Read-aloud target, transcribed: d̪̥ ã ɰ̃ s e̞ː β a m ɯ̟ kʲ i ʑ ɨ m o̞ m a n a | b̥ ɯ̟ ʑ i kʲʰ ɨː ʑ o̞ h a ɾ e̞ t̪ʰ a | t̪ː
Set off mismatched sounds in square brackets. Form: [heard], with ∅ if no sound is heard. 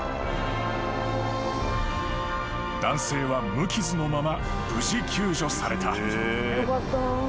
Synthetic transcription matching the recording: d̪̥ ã ɰ̃ s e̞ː β a m ɯ̟ kʲ i [z] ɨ [n] o̞ m a [m] a | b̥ ɯ̟ ʑ i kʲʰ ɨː ʑ o̞ [s] a ɾ e̞ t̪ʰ a | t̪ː